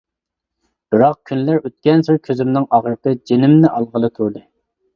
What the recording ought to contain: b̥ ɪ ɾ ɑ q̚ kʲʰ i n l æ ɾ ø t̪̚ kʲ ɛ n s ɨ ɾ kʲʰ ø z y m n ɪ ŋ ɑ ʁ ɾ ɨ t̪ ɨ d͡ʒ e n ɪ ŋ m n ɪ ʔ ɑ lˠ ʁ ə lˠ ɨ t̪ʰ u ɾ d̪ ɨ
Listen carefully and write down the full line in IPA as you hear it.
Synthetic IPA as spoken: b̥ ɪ ɾ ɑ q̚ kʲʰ y n l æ ɾ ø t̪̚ kʲ ɛ n s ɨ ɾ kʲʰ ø z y m n ɪ ŋ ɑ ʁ ɾ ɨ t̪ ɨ d͡ʒ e n ɪ m n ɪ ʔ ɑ lˠ ʁ ə lˠ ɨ t̪ʰ u ɾ d̪ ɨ